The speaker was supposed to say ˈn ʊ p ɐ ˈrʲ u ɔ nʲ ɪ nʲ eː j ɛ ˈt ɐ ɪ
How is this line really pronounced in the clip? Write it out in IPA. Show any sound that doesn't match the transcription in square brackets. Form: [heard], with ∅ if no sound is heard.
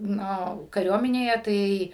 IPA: ˈn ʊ [k] ɐ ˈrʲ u ɔ [mʲ] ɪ nʲ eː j ɛ ˈt ɐ ɪ